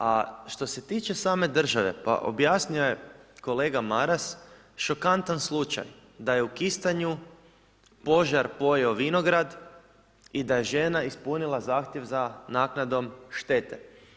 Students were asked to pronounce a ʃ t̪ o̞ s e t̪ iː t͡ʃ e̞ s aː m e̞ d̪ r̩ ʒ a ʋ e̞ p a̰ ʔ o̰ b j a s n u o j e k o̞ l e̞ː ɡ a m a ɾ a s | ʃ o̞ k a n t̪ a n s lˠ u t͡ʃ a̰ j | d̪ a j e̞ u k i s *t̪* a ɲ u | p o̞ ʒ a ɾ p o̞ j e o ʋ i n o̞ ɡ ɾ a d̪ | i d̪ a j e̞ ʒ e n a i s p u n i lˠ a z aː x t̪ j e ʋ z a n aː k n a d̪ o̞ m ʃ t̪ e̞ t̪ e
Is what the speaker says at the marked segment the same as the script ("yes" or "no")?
yes